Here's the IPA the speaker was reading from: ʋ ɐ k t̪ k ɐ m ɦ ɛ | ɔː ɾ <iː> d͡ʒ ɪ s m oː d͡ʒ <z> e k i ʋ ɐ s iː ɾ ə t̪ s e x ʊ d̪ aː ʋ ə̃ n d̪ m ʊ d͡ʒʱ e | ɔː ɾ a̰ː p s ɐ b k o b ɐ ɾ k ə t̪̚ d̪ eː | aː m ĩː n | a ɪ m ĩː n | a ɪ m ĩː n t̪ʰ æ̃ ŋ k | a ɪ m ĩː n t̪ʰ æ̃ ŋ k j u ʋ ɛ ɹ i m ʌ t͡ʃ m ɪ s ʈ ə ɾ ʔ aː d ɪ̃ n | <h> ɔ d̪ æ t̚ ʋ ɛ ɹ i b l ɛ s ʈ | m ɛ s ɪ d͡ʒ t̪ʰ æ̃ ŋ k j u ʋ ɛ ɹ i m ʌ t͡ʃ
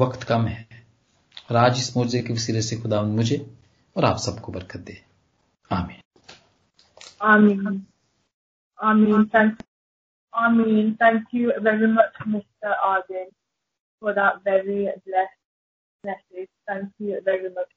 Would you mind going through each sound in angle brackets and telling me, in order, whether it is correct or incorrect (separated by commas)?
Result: incorrect, correct, incorrect